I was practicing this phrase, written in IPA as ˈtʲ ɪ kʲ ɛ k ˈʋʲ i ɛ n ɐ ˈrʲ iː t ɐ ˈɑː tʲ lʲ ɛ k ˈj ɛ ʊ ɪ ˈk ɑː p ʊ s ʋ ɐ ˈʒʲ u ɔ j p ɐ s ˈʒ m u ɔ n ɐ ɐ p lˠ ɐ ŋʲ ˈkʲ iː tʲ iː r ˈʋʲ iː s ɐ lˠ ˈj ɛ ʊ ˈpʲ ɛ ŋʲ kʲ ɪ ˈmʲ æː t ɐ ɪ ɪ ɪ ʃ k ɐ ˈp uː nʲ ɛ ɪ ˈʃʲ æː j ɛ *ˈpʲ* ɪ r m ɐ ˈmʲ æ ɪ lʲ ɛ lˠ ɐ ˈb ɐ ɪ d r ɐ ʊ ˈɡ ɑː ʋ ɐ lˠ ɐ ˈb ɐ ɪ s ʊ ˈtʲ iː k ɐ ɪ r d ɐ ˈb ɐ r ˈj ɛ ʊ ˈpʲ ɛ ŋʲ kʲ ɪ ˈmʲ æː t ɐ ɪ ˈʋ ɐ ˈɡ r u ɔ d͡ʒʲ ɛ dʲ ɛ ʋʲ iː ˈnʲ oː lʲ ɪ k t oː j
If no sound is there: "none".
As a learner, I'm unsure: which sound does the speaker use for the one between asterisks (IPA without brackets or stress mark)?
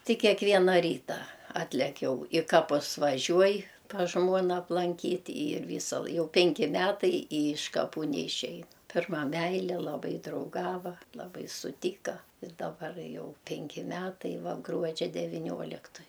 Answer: pʲ